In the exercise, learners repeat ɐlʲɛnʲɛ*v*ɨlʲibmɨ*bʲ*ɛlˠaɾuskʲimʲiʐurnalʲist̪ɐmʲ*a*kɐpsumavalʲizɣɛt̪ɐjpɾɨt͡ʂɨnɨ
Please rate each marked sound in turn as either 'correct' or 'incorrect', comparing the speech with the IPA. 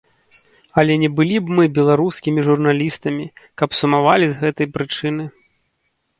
incorrect: b, correct, incorrect: i

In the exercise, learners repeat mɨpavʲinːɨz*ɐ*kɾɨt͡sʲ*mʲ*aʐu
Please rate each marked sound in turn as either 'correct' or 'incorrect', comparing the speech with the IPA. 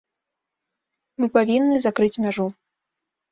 incorrect: a, correct

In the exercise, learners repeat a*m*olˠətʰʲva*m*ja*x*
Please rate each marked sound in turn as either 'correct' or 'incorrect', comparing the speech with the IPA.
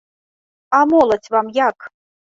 correct, correct, incorrect: k

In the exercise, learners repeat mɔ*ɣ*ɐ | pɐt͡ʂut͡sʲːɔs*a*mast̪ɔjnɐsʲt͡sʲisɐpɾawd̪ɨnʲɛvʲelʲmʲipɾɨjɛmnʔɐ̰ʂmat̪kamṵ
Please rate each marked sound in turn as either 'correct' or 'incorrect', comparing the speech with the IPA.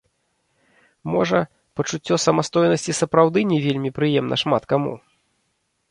incorrect: ʐ, incorrect: ɐ

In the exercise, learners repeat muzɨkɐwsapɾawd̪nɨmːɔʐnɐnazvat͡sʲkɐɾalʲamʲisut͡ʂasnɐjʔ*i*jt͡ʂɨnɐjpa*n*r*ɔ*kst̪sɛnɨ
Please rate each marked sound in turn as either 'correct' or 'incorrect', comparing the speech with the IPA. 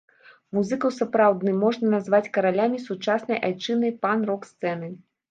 incorrect: a, correct, correct

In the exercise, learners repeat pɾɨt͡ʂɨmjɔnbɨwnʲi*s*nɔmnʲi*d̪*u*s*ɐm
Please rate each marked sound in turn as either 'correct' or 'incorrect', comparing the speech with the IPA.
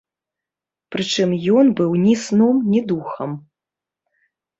correct, correct, incorrect: x

